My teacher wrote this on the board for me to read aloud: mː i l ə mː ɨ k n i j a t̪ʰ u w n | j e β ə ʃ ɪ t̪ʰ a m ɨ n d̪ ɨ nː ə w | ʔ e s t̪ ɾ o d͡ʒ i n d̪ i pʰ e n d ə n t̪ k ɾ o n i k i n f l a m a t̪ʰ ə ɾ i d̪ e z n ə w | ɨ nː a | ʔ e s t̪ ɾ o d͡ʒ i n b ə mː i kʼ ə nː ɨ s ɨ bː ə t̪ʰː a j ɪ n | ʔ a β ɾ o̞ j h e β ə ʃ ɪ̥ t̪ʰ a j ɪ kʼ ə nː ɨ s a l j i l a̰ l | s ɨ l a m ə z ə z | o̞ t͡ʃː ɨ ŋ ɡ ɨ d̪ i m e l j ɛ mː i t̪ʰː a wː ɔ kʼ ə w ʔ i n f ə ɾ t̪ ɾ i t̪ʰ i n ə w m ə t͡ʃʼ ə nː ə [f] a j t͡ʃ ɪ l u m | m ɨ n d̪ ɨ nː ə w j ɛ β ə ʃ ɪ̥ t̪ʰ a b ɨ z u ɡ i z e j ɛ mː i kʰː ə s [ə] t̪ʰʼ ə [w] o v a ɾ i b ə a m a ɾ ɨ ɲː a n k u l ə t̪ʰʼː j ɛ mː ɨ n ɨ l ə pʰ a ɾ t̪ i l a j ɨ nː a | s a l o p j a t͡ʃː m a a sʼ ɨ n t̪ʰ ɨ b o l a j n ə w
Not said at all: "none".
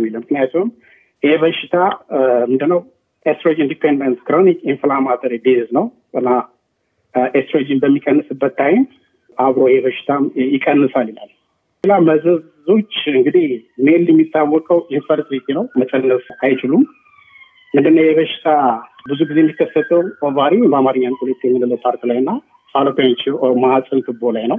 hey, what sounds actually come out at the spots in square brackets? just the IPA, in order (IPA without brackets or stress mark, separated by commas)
s, ə, w